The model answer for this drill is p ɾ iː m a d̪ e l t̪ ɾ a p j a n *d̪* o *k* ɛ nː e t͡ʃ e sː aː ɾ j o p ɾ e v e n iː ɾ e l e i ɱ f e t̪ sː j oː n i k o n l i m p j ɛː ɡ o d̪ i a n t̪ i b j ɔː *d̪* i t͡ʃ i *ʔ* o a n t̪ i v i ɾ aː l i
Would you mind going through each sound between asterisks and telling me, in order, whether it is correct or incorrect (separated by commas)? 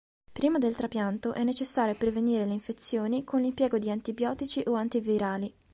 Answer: incorrect, incorrect, incorrect, correct